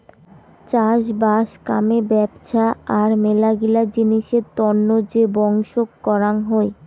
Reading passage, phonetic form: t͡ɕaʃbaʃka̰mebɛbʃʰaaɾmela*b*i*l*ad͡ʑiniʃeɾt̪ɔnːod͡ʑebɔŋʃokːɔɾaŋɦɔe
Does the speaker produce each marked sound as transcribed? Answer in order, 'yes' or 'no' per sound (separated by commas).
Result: no, yes